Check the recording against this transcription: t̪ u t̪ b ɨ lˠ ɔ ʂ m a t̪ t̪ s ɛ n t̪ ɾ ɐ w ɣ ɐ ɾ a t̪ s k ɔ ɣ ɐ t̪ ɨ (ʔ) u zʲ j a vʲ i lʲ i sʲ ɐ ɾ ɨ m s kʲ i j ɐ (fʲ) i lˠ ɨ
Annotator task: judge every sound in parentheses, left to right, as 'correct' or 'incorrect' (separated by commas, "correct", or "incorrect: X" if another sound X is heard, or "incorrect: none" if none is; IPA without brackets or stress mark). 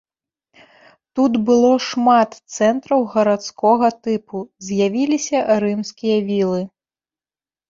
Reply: incorrect: p, incorrect: vʲ